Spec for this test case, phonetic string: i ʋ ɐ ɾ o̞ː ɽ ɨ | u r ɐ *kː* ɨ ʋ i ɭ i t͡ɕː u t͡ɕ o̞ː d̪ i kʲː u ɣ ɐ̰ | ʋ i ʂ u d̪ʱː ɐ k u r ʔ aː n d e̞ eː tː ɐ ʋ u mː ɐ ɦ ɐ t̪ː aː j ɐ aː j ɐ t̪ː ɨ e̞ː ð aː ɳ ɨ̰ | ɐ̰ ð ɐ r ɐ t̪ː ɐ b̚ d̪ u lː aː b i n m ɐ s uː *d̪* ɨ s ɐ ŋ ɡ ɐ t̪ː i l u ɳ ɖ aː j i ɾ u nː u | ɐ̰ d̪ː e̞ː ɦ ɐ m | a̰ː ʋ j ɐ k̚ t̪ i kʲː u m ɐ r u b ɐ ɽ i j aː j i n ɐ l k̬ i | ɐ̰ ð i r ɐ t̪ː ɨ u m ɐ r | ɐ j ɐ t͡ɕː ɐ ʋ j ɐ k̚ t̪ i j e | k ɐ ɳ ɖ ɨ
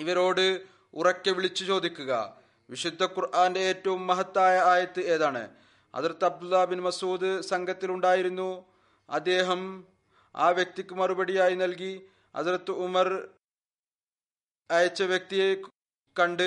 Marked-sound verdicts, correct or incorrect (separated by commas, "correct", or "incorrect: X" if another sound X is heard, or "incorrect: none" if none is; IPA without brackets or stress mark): correct, correct